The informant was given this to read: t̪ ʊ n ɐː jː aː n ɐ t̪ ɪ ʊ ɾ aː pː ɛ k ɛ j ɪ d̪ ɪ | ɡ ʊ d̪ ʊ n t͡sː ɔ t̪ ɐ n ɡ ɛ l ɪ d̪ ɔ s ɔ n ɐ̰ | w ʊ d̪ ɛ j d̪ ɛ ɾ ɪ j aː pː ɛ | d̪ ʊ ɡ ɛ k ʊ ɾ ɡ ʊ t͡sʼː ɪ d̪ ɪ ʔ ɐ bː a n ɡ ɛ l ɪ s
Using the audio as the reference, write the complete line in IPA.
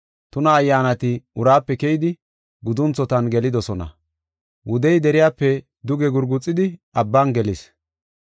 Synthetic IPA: t̪ ʊ n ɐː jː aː n ɐ t̪ ɪ ʊ ɾ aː pː ɛ k ɛ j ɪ d̪ ɪ | ɡ ʊ d̪ ʊ n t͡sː ɔ t̪ ɐ n ɡ ɛ l ɪ d̪ ɔ s ɔ n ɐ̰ | w ʊ d̪ ɛ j d̪ ɛ ɾ ɪ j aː pː ɛ | d̪ ʊ ɡ ɛ ɡ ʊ ɾ ɡ ʊ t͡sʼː ɪ d̪ ɪ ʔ ɐ bː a n ɡ ɛ l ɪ s